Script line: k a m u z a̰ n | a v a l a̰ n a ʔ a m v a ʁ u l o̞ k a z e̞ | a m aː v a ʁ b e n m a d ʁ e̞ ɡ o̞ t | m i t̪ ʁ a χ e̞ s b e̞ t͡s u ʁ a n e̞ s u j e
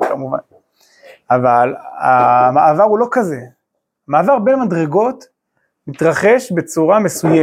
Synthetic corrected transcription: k a m u v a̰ n | a v a l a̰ m a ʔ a v a ʁ u l o̞ k a z e̞ | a m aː v a ʁ b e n m a d ʁ e̞ ɡ o̞ t | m i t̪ ʁ a χ e̞ ʃ b e̞ t͡s u ʁ a m e̞ s u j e